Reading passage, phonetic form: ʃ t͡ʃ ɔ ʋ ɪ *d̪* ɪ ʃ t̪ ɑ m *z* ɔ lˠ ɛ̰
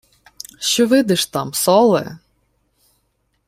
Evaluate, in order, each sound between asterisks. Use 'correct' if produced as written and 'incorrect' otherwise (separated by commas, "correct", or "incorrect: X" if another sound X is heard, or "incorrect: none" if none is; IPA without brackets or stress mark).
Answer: correct, incorrect: s